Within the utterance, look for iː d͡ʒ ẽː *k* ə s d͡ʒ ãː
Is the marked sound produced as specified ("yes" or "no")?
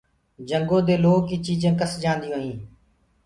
yes